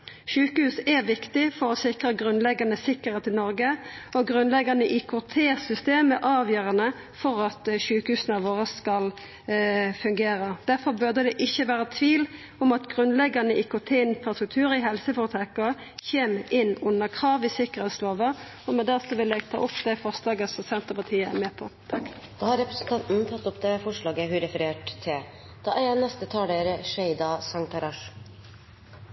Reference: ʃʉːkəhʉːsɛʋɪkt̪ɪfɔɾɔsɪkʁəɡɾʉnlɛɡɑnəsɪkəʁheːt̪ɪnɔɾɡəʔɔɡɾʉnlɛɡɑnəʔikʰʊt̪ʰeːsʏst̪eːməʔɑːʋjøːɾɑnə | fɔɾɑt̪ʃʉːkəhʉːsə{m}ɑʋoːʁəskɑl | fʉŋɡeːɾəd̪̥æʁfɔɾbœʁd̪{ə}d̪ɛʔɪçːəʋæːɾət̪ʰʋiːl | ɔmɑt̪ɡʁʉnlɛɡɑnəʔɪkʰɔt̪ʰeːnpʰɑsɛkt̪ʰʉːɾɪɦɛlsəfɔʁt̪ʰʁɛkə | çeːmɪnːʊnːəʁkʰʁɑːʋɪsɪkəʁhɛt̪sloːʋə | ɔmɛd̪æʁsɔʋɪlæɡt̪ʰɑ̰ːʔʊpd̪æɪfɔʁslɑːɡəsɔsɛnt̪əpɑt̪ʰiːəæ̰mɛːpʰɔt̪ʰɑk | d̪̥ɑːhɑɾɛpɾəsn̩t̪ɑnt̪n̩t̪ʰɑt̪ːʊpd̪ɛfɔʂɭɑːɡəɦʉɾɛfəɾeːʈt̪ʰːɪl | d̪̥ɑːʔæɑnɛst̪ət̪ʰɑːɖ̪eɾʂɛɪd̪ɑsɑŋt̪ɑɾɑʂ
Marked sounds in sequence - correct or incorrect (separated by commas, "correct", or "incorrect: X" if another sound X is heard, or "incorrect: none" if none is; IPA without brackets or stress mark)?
incorrect: n, correct